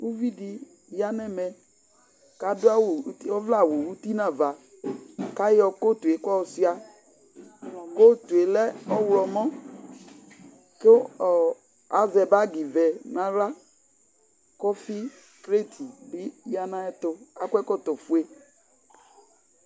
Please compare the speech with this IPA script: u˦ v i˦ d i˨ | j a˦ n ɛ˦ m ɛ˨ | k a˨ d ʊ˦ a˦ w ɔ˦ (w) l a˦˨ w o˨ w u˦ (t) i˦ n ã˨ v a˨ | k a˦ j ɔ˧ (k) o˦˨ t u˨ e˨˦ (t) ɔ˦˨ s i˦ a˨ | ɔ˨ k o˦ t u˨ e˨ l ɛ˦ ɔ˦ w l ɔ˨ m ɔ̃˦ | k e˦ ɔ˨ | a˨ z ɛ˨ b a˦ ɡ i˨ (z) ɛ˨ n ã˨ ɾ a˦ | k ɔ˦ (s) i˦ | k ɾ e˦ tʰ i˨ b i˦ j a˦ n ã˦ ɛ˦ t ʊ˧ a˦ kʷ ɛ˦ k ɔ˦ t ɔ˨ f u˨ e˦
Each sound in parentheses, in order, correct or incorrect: incorrect: v, correct, correct, incorrect: k, incorrect: v, incorrect: f

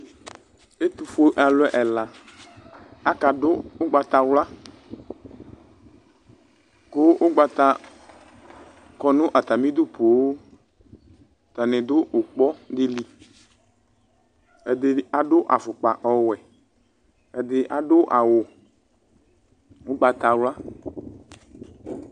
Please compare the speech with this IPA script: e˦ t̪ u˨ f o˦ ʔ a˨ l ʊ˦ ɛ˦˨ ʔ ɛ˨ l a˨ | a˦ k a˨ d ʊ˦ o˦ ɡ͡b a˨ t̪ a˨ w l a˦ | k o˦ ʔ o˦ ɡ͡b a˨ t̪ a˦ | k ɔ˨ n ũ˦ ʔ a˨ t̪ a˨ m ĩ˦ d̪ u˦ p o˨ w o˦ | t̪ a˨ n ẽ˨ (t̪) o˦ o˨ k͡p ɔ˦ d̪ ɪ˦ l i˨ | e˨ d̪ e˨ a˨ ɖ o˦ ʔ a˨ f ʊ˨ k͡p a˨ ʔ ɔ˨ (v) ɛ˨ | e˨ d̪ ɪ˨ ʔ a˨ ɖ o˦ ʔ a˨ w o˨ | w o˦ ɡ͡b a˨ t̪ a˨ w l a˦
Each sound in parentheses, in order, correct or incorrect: incorrect: d̪, incorrect: w

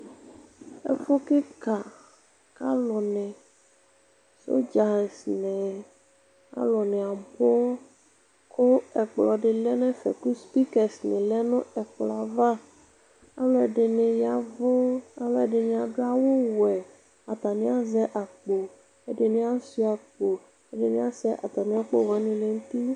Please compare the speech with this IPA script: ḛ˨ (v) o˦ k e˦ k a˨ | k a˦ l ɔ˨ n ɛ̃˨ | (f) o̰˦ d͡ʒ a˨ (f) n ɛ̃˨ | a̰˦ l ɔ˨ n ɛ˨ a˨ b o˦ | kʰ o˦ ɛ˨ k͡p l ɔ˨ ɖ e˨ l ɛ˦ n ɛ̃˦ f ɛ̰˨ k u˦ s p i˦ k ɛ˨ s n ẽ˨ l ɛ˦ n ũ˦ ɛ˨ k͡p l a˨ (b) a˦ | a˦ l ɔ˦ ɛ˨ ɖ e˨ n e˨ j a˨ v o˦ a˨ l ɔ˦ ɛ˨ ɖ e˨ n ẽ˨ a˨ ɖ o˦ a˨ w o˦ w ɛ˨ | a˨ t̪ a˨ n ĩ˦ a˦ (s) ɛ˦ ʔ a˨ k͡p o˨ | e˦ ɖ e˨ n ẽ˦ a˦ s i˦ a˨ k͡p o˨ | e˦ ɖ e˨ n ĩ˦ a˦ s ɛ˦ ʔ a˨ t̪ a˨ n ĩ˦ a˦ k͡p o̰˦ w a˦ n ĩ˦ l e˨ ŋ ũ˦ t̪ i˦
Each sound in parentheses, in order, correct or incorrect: incorrect: f, incorrect: s, incorrect: s, incorrect: v, incorrect: z

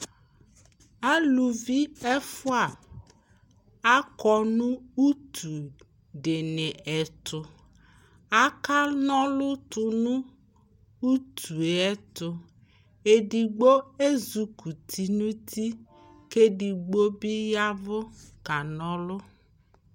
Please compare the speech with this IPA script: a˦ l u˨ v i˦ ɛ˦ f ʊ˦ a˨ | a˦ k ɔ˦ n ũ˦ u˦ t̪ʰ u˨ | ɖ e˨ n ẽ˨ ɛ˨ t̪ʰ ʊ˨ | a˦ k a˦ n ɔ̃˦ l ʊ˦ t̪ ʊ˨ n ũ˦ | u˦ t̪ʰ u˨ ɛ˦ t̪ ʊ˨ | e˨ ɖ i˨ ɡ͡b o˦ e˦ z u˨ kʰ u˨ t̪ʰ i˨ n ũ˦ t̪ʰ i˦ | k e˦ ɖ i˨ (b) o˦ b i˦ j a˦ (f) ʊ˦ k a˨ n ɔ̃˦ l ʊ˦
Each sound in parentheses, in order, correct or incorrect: incorrect: ɡ͡b, incorrect: v

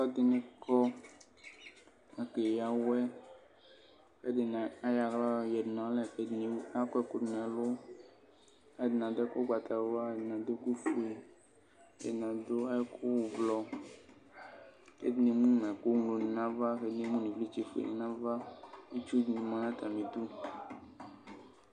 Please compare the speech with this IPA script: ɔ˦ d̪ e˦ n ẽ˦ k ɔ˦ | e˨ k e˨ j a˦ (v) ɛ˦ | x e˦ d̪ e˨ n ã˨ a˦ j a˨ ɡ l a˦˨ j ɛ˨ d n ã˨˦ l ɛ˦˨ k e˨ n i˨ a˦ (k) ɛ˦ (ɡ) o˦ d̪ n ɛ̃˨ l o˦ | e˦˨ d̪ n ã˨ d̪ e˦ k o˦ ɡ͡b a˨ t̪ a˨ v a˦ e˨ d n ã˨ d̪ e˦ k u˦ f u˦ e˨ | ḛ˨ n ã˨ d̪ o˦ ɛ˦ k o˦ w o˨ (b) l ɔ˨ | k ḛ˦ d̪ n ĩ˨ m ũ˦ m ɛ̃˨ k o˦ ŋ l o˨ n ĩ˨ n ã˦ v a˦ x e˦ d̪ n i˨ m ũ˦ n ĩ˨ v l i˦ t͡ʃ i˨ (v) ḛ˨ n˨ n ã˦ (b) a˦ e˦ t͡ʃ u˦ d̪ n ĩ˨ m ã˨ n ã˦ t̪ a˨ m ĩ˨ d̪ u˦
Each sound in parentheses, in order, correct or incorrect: incorrect: w, correct, incorrect: k, incorrect: v, incorrect: f, incorrect: v

